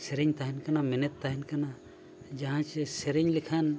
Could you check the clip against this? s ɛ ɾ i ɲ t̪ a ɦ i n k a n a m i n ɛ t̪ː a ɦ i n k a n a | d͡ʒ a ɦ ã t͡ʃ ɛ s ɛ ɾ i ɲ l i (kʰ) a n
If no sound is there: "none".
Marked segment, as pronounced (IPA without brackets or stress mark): kʰ